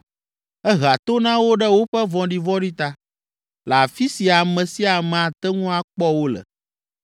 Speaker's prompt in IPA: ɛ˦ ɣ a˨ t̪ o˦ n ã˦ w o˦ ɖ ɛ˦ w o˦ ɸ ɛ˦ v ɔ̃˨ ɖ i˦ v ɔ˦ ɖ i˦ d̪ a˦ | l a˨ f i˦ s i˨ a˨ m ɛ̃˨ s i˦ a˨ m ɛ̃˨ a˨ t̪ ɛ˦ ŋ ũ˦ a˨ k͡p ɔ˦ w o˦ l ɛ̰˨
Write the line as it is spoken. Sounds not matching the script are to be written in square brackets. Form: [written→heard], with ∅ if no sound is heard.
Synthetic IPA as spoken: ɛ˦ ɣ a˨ t̪ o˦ n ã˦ w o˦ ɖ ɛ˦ w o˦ ɸ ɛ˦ v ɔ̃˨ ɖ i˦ v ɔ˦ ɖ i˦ [d̪→t̪] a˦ | l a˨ f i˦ s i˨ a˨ m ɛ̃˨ s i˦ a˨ m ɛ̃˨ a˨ t̪ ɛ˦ ŋ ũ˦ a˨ k͡p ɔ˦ w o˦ l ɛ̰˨